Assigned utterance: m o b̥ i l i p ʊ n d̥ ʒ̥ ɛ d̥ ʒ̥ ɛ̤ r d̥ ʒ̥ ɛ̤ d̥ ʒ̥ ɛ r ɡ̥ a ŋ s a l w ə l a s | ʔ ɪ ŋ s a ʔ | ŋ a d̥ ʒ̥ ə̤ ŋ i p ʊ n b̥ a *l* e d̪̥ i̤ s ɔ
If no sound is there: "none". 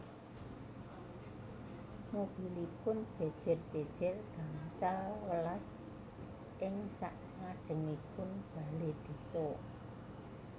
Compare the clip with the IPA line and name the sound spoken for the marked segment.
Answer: l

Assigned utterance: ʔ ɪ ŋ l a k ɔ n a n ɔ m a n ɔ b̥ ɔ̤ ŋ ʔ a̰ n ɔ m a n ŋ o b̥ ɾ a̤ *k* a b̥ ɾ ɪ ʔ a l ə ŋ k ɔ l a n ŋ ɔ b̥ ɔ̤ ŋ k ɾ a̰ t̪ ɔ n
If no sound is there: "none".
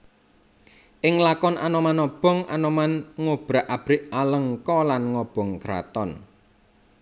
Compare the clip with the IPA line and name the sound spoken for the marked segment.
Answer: ʔ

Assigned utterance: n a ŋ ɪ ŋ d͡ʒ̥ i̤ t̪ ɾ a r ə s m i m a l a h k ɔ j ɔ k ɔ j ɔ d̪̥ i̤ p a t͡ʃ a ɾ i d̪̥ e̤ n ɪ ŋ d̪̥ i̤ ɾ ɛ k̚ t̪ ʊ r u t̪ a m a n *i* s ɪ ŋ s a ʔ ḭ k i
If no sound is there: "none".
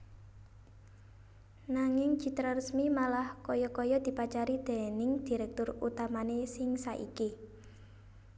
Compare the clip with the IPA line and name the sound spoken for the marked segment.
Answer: e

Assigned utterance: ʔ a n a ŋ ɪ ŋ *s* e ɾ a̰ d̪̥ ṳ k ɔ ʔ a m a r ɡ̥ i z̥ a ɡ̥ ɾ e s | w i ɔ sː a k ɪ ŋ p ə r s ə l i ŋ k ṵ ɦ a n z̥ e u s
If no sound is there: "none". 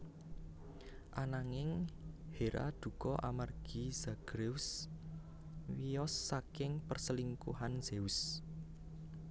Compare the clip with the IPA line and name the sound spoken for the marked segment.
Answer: h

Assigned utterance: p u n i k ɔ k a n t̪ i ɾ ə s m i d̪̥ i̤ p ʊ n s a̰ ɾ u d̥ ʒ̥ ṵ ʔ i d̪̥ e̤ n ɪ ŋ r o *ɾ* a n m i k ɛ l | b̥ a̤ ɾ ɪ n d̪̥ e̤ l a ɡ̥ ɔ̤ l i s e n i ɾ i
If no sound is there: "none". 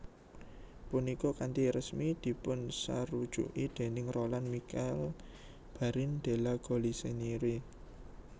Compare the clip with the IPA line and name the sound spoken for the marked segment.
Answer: l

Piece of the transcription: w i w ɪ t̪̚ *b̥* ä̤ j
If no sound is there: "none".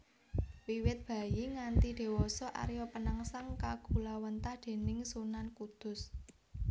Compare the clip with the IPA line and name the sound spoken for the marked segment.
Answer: b̥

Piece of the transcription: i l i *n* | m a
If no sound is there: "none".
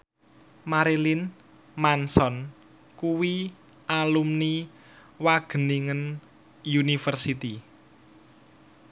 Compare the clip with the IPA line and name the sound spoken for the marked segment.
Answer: n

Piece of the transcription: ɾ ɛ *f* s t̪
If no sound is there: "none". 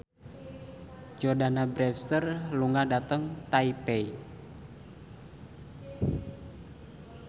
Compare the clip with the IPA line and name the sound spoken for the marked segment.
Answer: f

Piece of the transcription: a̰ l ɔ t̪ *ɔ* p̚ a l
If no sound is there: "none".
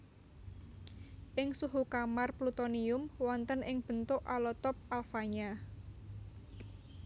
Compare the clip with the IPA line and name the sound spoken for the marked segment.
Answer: ɔ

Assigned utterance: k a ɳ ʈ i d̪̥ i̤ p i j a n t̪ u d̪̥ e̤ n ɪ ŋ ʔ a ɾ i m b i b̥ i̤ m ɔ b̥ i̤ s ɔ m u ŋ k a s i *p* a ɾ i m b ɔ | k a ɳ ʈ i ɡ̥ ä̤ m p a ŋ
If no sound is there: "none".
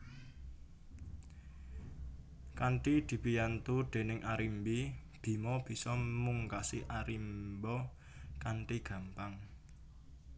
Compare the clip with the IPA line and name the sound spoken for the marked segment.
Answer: ʔ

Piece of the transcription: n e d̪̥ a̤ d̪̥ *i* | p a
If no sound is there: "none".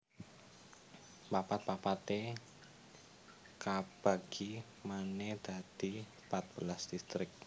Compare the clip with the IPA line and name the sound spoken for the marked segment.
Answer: i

